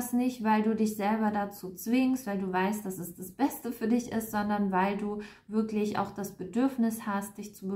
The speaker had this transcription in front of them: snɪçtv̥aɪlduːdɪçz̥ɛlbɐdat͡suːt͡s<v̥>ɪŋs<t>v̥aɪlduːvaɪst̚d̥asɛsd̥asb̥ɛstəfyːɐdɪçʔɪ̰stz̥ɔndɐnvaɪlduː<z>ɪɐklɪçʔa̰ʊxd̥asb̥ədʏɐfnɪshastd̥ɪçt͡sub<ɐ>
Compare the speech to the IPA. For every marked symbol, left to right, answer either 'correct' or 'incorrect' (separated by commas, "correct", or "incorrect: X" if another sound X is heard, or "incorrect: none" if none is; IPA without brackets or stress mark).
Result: correct, correct, incorrect: v, incorrect: ə